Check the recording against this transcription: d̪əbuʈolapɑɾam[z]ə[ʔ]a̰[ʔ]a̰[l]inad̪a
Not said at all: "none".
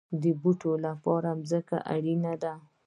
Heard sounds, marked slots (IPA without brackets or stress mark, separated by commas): z, k, ʔ, ɽ